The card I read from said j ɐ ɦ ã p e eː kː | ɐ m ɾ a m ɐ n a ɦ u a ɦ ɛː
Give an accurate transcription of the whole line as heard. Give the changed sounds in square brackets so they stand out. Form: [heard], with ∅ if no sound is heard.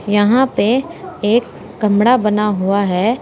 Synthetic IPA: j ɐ ɦ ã p e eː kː | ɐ m [ɽ] a [b] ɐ n a ɦ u a ɦ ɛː